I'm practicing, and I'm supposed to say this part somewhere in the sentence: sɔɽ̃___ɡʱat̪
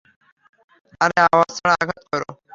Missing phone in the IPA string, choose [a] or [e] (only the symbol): a